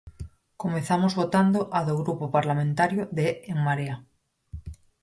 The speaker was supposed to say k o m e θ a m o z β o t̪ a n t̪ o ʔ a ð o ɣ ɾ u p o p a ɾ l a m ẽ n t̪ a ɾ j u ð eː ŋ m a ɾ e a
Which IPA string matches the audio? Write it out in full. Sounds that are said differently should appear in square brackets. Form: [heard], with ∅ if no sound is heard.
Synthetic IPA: k o m e θ a m o z β o t̪ a n [d̪] o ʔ a ð o ɣ ɾ u p o p a ɾ l a m ẽ n t̪ a ɾ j [o] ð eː ŋ m a ɾ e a

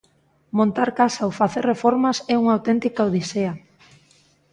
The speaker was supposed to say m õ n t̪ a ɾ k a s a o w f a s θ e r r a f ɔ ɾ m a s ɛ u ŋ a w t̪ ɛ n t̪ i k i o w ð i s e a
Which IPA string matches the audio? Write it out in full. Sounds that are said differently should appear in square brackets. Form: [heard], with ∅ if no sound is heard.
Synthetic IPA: m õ n t̪ a ɾ k a s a o w f a [∅] θ e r r [e] f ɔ ɾ m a s ɛ u ŋ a w t̪ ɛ n t̪ i k [a] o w ð i s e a

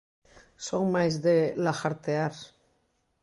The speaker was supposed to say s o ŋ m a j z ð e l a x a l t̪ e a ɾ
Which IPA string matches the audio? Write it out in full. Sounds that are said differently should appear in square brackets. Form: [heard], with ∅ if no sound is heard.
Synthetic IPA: s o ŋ m a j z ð e l a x a [ɾ] t̪ e a ɾ

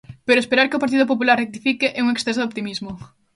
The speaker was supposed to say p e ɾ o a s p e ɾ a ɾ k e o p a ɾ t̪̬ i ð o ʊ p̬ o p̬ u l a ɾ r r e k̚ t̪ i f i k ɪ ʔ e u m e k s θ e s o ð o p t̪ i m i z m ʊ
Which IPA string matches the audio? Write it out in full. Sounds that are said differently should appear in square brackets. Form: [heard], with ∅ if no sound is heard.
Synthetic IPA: p e ɾ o [e] s p e ɾ a ɾ k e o p a ɾ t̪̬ i ð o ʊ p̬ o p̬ u l a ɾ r r e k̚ t̪ i f i k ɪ ʔ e u [ŋ] e k s θ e s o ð o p t̪ i m i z m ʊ

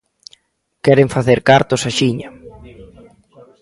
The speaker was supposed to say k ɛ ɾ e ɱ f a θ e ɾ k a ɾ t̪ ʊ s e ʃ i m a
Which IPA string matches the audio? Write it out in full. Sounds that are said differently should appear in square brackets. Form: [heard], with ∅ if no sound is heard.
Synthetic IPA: k ɛ ɾ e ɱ f a θ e ɾ k a ɾ t̪ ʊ s [a] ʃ i [ɲ] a

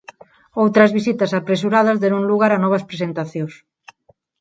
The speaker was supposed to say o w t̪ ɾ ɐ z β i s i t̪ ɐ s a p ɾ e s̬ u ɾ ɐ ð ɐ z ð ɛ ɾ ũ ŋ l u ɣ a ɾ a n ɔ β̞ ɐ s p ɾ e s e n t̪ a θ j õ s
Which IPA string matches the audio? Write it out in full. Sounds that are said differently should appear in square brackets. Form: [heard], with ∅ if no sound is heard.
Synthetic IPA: o w t̪ ɾ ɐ z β i s i t̪ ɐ s a p ɾ e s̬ u ɾ [a] ð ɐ z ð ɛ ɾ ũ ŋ l u ɣ a ɾ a n ɔ β̞ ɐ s p ɾ e s e n t̪ a θ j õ s

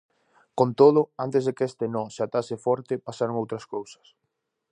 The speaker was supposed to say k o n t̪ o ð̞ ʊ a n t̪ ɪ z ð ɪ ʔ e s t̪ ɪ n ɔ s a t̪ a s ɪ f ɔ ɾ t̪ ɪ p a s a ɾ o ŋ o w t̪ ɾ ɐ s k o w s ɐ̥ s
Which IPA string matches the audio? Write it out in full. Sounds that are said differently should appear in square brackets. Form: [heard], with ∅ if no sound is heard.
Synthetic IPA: k o n t̪ o ð̞ ʊ a n t̪ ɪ z ð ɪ [k] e s t̪ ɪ n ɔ s a t̪ a s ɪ f ɔ ɾ t̪ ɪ p a s a ɾ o ŋ o w t̪ ɾ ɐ s k o w s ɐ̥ s

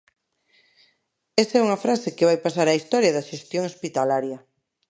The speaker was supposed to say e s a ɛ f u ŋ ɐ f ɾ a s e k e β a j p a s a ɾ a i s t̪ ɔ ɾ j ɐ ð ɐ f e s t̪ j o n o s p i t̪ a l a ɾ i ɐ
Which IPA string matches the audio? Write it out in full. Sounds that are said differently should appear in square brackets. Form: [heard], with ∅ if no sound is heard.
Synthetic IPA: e s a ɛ [∅] u ŋ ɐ f ɾ a s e k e β a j p a s a ɾ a i s t̪ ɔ ɾ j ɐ ð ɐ [ʃ] e s t̪ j o [ŋ] o s p i t̪ a l a ɾ [j] ɐ

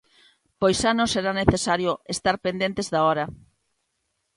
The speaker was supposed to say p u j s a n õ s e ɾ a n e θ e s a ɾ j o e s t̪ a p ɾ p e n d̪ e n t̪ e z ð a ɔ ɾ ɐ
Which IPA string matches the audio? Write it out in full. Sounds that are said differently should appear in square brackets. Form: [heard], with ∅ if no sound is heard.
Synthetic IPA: p [o] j s a n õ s e ɾ a n e θ e s a ɾ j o e s t̪ a [∅] ɾ p e n d̪ e n t̪ e z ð a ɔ ɾ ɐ

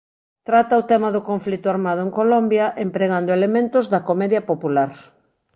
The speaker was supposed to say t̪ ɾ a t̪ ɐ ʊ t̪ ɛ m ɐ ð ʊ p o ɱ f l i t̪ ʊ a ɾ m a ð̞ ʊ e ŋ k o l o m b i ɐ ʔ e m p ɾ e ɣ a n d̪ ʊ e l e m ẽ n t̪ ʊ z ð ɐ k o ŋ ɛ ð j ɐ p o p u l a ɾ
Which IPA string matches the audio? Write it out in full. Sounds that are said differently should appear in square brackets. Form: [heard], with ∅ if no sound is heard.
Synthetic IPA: t̪ ɾ a t̪ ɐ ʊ t̪ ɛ m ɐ ð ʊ [k] o ɱ f l i t̪ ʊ a ɾ m a ð̞ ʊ e ŋ k o l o m b [j] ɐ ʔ e m p ɾ e ɣ a n d̪ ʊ e l e m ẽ n t̪ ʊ z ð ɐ k o [m] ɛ ð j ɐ p o p u l a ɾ

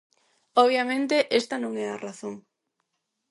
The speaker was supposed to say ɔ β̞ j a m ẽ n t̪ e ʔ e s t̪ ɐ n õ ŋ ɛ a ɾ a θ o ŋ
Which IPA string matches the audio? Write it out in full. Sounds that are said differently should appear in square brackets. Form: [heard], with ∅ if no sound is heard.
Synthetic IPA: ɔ β̞ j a m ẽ n t̪ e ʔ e s t̪ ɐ n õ ŋ ɛ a [r] a θ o ŋ

